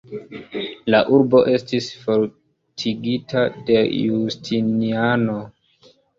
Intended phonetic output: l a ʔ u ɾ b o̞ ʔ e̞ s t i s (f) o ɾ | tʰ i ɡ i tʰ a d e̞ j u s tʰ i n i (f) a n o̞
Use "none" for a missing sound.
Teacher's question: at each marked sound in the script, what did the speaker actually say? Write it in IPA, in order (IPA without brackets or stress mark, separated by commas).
f, none